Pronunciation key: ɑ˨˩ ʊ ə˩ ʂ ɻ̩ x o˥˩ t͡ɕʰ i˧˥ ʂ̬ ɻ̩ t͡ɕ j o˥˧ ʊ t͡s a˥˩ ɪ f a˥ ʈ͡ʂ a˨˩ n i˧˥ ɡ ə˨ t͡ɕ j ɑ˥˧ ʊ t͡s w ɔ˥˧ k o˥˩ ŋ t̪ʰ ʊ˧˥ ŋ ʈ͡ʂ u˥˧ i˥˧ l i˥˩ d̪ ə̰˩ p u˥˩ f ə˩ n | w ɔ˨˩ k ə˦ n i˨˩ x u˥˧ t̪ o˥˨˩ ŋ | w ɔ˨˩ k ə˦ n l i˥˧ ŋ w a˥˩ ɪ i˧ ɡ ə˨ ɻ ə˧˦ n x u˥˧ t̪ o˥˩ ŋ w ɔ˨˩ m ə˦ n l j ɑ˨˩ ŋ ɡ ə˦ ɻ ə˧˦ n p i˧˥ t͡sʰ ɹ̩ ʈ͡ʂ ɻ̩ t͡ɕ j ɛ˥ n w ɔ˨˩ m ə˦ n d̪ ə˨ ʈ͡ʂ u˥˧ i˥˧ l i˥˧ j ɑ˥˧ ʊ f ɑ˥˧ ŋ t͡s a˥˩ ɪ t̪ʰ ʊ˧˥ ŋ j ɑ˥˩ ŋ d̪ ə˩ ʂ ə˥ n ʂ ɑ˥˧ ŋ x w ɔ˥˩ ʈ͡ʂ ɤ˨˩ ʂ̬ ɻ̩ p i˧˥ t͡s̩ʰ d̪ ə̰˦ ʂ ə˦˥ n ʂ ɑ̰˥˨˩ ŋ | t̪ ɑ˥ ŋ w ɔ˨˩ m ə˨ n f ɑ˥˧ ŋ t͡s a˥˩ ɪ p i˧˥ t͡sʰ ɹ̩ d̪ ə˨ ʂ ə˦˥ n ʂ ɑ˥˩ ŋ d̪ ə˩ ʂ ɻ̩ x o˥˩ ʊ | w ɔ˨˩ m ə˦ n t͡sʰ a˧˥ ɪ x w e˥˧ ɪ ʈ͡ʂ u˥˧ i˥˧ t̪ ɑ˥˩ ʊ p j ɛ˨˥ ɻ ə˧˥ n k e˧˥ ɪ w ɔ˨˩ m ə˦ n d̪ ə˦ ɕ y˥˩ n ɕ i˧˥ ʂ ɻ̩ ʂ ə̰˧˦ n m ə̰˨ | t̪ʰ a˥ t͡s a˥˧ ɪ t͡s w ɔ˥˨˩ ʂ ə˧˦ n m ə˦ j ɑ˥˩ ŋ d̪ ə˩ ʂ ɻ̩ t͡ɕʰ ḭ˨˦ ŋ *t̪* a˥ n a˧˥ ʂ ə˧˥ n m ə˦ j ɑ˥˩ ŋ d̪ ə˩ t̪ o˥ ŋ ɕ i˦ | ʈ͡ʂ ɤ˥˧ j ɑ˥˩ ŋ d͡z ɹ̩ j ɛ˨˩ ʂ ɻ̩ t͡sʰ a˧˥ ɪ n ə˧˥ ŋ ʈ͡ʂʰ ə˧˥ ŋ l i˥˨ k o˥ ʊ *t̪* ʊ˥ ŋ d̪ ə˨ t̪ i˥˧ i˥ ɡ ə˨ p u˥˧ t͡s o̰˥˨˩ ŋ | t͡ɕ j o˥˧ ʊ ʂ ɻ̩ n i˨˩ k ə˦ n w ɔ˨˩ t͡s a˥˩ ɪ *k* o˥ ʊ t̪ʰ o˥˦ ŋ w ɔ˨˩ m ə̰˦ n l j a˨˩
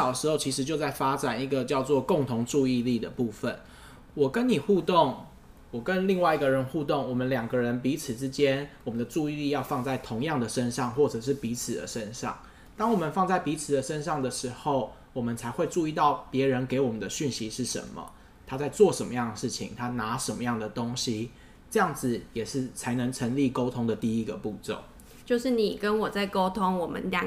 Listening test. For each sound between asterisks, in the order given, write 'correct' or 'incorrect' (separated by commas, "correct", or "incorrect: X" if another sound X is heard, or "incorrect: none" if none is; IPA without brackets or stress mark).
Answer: incorrect: t̪ʰ, incorrect: t̪ʰ, correct